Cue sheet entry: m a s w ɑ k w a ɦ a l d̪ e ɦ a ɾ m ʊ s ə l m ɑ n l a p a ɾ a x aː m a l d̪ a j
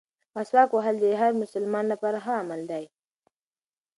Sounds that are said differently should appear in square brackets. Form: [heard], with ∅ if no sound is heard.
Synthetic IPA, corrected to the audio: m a s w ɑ k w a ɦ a l d̪ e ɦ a ɾ m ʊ s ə l m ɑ n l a p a ɾ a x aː m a l d̪ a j